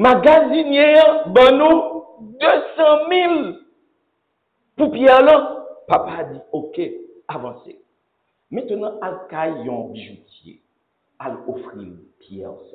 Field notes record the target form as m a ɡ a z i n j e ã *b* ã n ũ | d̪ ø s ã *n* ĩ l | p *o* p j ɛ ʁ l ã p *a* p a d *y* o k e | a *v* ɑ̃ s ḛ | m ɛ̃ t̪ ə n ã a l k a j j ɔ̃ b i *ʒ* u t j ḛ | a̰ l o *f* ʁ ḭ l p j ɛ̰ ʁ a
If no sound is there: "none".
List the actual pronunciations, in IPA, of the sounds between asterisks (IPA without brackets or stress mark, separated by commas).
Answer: b, m, u, a, i, v, ʒ, f